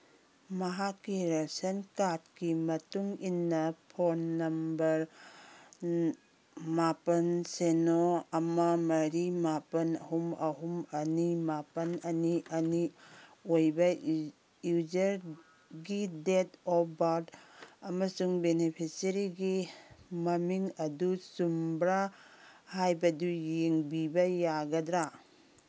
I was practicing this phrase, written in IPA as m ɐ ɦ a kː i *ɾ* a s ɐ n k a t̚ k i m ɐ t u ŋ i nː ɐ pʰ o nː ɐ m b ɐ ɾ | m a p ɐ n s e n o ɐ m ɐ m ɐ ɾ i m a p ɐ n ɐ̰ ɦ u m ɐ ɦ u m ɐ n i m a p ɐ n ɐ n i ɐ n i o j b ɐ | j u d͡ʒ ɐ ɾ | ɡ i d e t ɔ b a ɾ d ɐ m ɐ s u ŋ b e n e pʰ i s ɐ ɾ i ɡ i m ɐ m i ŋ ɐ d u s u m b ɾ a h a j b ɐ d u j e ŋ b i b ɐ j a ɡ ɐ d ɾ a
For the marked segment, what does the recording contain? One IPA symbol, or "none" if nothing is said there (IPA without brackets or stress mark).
ɾ